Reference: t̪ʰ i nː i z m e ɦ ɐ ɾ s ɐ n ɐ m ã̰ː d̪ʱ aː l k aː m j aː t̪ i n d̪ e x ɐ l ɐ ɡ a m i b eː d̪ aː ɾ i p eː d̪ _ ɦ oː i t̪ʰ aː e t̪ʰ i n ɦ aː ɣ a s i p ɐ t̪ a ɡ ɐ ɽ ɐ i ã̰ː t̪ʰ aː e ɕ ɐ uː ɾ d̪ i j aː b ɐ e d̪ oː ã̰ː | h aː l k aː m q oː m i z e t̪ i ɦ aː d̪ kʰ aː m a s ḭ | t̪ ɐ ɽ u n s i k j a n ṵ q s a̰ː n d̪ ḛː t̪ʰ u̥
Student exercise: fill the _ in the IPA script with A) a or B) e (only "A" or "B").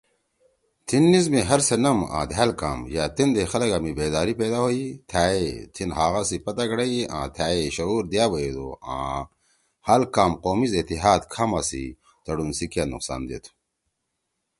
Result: A